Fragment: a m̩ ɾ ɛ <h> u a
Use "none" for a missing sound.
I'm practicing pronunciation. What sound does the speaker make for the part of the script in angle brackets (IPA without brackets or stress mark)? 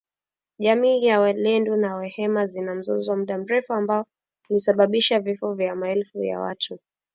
f